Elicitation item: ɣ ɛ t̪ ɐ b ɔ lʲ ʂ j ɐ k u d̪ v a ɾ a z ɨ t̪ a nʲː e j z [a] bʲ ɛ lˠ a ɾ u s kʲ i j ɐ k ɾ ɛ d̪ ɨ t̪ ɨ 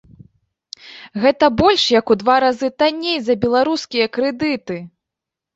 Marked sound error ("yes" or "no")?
yes